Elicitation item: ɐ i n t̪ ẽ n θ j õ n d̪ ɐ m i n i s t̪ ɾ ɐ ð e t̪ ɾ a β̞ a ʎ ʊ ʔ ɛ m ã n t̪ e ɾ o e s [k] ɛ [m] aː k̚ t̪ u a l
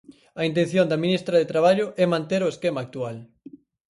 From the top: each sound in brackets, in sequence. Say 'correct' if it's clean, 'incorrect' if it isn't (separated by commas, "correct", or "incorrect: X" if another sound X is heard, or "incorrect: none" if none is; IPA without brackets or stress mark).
correct, correct